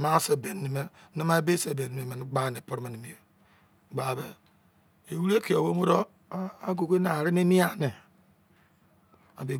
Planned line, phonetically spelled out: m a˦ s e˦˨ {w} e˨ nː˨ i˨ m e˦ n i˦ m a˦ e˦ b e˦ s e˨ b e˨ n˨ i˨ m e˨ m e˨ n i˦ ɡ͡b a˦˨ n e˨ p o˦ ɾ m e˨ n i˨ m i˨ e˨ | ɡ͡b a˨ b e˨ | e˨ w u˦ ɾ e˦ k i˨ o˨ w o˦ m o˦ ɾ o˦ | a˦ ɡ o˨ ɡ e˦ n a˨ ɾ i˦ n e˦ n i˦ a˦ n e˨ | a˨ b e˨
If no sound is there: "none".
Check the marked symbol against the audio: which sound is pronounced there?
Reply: b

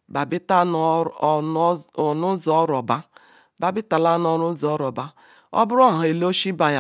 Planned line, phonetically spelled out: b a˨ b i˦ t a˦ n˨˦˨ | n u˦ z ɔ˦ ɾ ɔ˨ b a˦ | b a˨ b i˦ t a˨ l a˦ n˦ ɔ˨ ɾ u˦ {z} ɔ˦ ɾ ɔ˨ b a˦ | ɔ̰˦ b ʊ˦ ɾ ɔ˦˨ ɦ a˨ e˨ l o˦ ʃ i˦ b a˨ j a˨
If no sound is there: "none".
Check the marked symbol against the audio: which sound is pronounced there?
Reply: z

